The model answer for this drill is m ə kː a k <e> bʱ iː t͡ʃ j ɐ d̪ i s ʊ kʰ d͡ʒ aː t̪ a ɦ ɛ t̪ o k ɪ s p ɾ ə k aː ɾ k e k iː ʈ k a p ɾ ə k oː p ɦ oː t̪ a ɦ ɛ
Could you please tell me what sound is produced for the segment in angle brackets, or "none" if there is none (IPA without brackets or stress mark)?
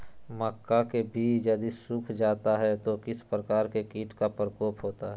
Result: e